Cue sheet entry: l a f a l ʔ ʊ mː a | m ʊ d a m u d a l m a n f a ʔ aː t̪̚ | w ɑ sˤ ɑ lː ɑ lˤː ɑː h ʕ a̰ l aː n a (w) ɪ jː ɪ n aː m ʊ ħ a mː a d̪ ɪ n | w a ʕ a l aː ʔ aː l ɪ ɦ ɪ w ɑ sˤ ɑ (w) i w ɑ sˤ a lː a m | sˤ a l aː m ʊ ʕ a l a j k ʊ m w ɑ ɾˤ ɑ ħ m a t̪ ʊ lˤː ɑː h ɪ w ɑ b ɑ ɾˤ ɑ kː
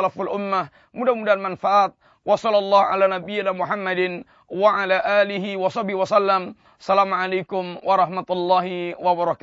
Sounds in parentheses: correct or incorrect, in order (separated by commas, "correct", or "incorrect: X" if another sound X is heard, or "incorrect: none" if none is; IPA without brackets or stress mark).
incorrect: b, incorrect: b